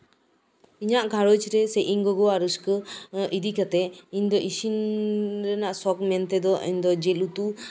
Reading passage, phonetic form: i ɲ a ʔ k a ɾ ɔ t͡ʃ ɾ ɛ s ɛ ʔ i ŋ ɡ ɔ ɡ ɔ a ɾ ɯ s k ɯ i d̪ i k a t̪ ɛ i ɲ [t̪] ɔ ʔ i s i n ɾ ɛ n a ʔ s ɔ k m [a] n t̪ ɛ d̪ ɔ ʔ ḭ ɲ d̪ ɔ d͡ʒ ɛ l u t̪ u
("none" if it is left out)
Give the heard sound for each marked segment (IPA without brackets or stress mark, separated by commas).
d̪, ɛ